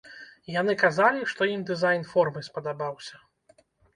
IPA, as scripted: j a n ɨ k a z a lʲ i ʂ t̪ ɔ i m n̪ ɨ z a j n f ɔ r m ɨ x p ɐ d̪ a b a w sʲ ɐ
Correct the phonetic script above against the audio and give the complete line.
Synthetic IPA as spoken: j a n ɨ k a z a lʲ i ʂ t̪ ɔ i m d̪ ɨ z a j n f ɔ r m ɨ s p ɐ d̪ a b a w sʲ ɐ